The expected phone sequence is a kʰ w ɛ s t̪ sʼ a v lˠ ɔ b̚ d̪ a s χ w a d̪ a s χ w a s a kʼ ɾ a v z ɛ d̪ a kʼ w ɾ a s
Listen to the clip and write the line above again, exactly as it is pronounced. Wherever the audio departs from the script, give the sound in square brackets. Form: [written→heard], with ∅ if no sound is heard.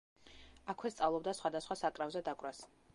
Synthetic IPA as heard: a kʰ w ɛ s t̪ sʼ a v lˠ ɔ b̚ d̪ a s χ w a d̪ a s χ w a s a kʼ ɾ a v z ɛ d̪ a kʼ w ɾ a s

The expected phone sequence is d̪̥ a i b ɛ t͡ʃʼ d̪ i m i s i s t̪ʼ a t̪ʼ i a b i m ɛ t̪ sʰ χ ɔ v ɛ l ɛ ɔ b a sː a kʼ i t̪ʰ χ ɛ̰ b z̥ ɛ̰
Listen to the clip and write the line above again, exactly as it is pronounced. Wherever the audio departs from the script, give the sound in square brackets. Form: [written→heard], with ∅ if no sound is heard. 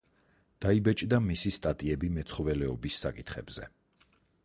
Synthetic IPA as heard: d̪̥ a i b ɛ t͡ʃʼ d̪ [i→a] m i s i s t̪ʼ a t̪ʼ i [a→ɛ] b i m ɛ t̪ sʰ χ ɔ v ɛ l ɛ ɔ b [a→i] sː a kʼ i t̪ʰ χ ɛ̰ b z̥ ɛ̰

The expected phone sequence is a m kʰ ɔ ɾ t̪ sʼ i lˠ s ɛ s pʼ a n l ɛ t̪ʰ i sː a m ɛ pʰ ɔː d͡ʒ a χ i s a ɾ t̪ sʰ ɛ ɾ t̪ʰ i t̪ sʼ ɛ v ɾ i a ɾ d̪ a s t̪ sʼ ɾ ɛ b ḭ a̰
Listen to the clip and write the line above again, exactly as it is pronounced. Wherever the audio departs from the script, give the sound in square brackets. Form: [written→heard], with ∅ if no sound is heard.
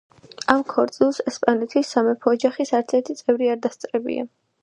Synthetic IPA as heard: a m kʰ ɔ ɾ t̪ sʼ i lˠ s ɛ s pʼ a n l ɛ t̪ʰ i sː a m ɛ pʰ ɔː d͡ʒ a χ i s a ɾ t̪ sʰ ɛ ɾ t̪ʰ i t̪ sʼ ɛ v ɾ i a ɾ d̪ a s t̪ sʼ ɾ ɛ b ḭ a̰

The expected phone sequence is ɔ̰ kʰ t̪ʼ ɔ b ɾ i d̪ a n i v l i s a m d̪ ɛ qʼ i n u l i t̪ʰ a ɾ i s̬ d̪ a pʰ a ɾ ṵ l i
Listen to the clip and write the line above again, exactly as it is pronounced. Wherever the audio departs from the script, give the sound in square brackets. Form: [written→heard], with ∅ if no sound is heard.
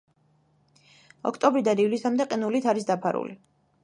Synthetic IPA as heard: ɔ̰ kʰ t̪ʼ ɔ b ɾ i d̪ a n i v l i s a m d̪ ɛ qʼ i n u l i t̪ʰ a ɾ i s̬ d̪ a pʰ a ɾ ṵ l i

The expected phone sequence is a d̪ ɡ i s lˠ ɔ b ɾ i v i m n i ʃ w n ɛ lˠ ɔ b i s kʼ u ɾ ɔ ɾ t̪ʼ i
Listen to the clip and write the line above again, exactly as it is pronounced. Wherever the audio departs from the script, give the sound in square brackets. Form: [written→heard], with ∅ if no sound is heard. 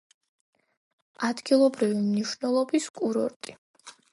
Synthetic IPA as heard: a d̪ ɡ i [s→∅] lˠ ɔ b ɾ i v i m n i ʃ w n ɛ lˠ ɔ b i s kʼ u ɾ ɔ ɾ t̪ʼ i

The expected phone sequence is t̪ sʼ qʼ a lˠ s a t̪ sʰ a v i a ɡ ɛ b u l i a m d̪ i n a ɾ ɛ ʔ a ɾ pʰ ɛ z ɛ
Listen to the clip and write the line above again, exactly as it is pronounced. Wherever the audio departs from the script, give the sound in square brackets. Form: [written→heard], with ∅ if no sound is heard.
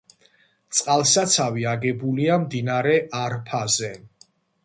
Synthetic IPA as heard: t̪ sʼ qʼ a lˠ s a t̪ sʰ a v i a ɡ ɛ b u l i a m d̪ i n a ɾ ɛ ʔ a ɾ pʰ [ɛ→a] z ɛ

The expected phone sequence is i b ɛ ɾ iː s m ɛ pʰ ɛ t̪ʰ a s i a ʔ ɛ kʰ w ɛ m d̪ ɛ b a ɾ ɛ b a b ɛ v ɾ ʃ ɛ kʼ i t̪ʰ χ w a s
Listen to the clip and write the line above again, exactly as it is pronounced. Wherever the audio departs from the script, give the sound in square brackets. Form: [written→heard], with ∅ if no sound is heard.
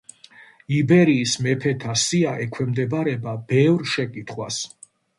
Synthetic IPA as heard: i b ɛ ɾ iː s m ɛ pʰ ɛ t̪ʰ a s i a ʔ ɛ kʰ w ɛ m d̪ ɛ b a ɾ ɛ b a b ɛ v ɾ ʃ ɛ kʼ i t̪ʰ χ w a s

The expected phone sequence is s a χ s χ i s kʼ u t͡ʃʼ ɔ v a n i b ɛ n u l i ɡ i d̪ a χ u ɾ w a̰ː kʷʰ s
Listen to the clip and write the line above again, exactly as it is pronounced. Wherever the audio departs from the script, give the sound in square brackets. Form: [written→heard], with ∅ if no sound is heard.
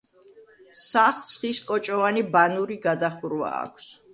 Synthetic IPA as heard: s a χ s χ i s kʼ [u→ɔ] t͡ʃʼ ɔ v a n i b [ɛ→a] n u [l→ɾ] i ɡ [i→a] d̪ a χ u ɾ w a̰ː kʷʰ s

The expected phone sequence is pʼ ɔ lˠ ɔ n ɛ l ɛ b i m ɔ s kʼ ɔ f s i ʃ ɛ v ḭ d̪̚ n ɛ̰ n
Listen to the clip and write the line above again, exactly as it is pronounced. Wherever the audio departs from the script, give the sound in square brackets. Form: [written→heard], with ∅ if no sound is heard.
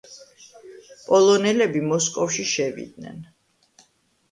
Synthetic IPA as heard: pʼ ɔ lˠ ɔ n ɛ l ɛ b i m ɔ s kʼ ɔ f [s→ʃ] i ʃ ɛ v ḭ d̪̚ n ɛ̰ n

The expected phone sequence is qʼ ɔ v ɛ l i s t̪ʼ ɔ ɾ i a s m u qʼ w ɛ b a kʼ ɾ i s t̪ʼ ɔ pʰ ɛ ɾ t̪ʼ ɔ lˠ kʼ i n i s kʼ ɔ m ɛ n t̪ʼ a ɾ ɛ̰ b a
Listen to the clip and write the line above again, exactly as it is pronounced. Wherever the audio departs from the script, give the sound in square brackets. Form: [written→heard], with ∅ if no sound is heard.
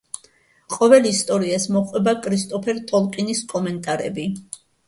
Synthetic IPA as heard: qʼ ɔ v ɛ l i s t̪ʼ ɔ ɾ i a s m [u→ɔ] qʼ w ɛ b a kʼ ɾ i s t̪ʼ ɔ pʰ ɛ ɾ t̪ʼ ɔ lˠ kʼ i n i s kʼ ɔ m ɛ n t̪ʼ a ɾ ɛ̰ b [a→i]

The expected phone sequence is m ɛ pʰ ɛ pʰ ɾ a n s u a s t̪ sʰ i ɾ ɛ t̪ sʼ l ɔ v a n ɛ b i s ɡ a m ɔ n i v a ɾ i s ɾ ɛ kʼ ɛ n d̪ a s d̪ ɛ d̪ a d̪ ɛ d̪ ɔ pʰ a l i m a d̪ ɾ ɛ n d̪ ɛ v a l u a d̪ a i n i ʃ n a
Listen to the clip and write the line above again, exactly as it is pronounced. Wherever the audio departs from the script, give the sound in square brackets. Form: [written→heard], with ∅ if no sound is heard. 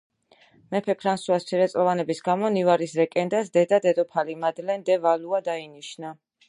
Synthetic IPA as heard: m ɛ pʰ ɛ pʰ ɾ a n s u a s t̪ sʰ i ɾ ɛ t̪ sʼ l ɔ v a n ɛ b i s ɡ a m ɔ n i v a ɾ i s ɾ ɛ kʼ ɛ n d̪ a s d̪ ɛ d̪ a d̪ ɛ d̪ ɔ pʰ a l i m a d̪ [ɾ→l] ɛ n d̪ ɛ v a l u a d̪ a i n i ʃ n a

